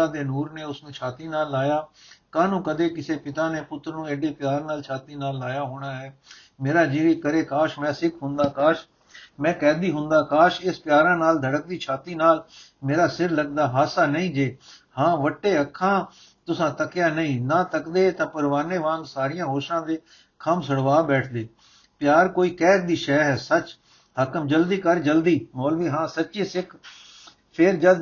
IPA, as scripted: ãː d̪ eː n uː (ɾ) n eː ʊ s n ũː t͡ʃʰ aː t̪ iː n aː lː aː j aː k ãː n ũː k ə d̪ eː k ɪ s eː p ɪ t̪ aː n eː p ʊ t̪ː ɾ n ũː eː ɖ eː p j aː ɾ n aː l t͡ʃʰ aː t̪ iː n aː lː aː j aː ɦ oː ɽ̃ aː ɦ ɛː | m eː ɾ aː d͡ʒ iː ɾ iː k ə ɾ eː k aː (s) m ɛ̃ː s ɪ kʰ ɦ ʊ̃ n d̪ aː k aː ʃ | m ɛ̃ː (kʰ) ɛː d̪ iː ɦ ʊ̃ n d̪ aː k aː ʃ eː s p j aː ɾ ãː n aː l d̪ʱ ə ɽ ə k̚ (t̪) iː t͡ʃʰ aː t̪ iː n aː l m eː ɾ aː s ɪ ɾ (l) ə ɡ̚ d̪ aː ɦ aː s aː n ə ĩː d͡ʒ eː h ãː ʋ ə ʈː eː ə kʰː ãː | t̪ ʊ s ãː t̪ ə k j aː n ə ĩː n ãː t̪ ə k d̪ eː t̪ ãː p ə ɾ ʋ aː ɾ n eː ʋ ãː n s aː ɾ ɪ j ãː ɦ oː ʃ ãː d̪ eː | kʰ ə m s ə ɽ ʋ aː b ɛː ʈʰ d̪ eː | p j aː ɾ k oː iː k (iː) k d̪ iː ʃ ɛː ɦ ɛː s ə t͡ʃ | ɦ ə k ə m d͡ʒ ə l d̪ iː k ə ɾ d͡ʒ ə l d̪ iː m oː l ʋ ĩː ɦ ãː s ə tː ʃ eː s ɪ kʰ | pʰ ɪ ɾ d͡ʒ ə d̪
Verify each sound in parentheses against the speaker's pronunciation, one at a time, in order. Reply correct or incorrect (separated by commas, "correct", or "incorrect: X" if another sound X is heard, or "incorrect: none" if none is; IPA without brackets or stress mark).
correct, incorrect: ʃ, incorrect: k, incorrect: d̪, correct, incorrect: ɛː